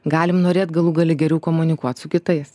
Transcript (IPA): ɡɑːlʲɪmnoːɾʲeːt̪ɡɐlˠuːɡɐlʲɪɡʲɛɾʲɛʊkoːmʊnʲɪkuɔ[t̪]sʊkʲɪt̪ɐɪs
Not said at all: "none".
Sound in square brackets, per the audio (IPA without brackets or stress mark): t̪